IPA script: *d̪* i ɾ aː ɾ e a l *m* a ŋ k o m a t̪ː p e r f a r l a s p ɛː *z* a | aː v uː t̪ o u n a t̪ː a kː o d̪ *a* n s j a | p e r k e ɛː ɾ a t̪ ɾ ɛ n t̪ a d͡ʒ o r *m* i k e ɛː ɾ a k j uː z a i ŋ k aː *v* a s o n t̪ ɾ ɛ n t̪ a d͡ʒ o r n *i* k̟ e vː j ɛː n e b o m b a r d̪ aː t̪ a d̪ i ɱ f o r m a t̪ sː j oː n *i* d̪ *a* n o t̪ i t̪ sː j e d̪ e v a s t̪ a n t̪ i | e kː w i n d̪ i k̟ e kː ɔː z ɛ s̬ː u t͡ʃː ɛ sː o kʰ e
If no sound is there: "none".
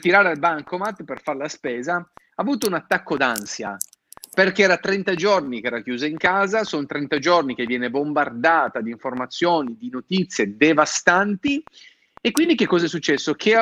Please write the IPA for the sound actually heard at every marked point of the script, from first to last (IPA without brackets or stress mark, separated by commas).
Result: t̪, b, z, a, n, z, i, i, i